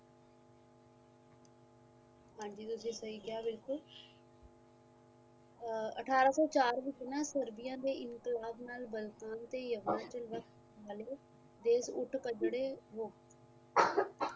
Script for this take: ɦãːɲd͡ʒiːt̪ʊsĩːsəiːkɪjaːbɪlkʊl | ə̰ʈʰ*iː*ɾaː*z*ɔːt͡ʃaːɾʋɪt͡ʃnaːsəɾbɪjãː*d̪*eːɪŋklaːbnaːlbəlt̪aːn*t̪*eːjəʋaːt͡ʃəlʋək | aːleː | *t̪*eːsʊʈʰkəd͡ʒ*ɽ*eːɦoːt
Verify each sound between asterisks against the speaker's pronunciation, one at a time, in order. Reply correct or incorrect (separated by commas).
incorrect, incorrect, correct, correct, incorrect, correct